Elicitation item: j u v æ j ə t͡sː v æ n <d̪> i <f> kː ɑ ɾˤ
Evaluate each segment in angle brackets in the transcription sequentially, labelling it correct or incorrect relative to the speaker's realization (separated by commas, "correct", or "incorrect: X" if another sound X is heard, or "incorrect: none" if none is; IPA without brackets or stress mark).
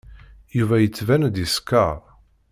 correct, incorrect: s